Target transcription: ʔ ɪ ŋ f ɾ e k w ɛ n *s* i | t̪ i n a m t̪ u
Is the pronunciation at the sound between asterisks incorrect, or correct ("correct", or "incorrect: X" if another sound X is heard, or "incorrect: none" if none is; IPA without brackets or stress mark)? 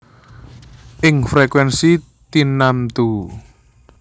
correct